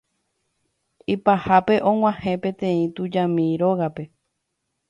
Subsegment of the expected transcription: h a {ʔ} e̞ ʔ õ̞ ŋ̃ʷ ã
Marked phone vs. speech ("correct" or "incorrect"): incorrect